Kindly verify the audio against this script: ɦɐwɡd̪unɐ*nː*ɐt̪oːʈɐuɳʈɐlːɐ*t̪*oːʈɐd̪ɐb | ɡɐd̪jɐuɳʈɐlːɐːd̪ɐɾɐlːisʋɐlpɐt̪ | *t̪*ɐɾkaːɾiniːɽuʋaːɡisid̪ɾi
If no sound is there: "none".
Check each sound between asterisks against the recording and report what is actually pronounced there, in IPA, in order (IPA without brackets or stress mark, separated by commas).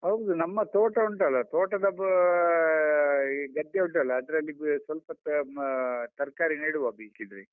mː, t̪, t̪